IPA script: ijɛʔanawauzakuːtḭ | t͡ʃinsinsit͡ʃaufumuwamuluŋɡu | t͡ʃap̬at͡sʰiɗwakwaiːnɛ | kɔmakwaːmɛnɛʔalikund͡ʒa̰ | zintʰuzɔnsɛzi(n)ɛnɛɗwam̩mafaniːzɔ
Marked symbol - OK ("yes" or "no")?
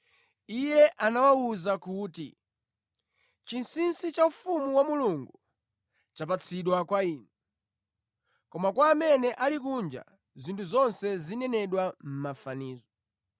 yes